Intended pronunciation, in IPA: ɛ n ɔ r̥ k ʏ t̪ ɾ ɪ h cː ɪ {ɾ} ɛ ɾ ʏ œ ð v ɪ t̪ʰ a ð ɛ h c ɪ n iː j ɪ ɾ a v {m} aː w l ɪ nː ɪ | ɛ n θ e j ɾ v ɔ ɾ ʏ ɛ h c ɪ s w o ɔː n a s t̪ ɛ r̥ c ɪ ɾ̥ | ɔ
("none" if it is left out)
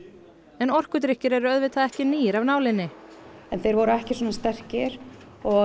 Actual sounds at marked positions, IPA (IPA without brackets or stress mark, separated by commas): ɾ, n